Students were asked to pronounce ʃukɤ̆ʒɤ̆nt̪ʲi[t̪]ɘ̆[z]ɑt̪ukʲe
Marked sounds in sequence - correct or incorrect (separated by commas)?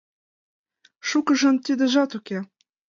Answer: incorrect, incorrect